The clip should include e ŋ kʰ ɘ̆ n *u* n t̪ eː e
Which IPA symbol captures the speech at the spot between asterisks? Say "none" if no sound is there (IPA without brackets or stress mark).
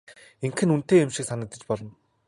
u